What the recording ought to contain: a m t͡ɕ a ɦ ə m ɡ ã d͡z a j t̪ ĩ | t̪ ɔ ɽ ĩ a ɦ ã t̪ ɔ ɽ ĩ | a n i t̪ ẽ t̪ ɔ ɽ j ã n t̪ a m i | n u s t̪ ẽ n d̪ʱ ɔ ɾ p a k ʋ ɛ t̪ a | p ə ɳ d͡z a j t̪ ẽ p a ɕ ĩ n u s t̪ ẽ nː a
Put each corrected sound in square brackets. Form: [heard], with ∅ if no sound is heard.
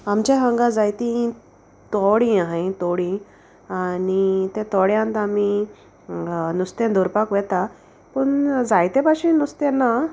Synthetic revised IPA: a m t͡ɕ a ɦ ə [ŋ] ɡ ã d͡z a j t̪ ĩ | t̪ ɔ ɽ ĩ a ɦ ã t̪ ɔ ɽ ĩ | a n i t̪ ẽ t̪ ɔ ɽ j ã n t̪ a m i | n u s t̪ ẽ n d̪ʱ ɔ ɾ p a k ʋ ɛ t̪ a | p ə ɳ d͡z a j t̪ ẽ p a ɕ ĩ n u s t̪ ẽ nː a